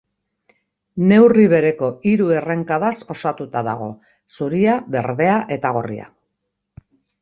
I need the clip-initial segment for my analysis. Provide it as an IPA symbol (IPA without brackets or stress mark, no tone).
n